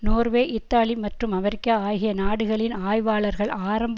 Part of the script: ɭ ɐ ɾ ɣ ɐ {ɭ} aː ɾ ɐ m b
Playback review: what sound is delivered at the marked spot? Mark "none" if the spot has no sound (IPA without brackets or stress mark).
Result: ɭ